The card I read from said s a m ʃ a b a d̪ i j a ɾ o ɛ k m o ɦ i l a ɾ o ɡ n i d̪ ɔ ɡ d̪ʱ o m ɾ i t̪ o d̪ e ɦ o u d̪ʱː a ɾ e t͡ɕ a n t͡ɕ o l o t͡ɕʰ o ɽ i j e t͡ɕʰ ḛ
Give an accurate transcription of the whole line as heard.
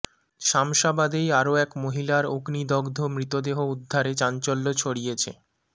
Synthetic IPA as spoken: ʃ a m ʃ a b a d̪ e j a ɾ o ɛ k m o ɦ i l a ɾ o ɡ n i d̪ ɔ ɡ d̪ʱ o m ɾ i t̪ o d̪ e ɦ o u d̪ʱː a ɾ e t͡ɕ a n t͡ɕ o lː o t͡ɕʰ o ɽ i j e t͡ɕʰ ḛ